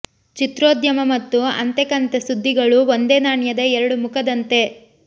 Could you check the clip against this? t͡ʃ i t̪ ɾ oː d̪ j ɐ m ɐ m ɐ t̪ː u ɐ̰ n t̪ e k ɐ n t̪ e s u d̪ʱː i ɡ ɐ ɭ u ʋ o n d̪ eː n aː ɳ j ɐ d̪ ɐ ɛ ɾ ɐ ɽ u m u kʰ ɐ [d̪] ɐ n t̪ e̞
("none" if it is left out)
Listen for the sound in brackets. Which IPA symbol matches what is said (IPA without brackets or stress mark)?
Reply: d̪